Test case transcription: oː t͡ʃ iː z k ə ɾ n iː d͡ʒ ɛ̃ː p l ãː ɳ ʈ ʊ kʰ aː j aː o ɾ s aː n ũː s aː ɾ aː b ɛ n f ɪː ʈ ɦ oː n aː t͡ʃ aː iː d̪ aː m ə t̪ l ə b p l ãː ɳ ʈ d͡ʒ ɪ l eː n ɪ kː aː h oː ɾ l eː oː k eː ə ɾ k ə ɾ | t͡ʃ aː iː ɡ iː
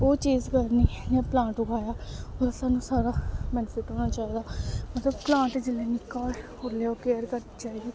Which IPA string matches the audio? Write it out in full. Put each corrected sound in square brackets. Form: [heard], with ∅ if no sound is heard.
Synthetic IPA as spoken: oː t͡ʃ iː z k ə ɾ n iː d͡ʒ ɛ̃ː p l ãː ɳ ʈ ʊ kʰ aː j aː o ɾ s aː n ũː s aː ɾ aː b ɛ n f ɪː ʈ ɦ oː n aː t͡ʃ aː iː d̪ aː m ə t̪ l ə b p l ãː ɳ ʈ d͡ʒ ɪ l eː n ɪ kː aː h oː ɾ l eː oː k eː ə ɾ k ə ɾ | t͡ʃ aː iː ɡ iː